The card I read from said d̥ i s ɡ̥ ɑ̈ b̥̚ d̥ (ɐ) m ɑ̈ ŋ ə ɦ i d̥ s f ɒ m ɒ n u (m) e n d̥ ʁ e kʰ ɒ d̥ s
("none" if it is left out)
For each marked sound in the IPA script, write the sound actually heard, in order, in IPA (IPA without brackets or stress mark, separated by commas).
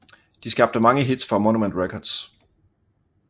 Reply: ə, m